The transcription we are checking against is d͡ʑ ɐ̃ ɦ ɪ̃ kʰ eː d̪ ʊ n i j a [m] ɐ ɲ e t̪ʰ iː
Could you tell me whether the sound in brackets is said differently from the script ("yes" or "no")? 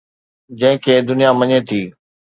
no